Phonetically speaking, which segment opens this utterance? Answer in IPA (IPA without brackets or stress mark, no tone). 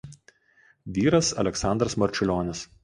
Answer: ʋʲ